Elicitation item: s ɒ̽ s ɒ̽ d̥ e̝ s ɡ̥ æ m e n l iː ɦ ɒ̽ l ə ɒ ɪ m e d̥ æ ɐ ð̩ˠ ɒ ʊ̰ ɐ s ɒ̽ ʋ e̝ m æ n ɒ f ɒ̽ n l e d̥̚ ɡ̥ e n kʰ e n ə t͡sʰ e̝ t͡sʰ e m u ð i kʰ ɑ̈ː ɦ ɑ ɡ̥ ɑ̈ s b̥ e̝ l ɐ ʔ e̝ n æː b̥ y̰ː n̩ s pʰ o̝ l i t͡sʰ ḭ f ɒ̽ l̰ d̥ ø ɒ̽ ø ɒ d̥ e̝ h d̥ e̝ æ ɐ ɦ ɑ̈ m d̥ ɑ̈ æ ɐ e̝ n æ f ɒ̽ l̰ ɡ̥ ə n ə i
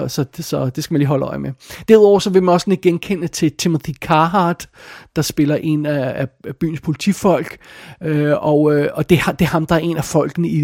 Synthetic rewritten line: s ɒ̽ s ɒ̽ d̥ e̝ s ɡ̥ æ m æ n l iː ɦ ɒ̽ l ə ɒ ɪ m e d̥ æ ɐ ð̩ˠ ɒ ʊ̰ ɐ s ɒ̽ ʋ e̝ m æ n ɒ s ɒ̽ n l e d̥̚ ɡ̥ e n kʰ e n ə t͡sʰ e̝ t͡sʰ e m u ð i kʰ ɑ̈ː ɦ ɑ d̥ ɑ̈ s b̥ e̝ l ɐ ʔ e̝ n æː b̥ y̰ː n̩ s pʰ o̝ l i t͡sʰ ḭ f ɒ̽ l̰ ɡ̥ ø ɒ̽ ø ɒ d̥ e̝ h d̥ e̝ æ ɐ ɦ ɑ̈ m d̥ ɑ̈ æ ɐ e̝ n æ f ɒ̽ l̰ ɡ̥ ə n ə i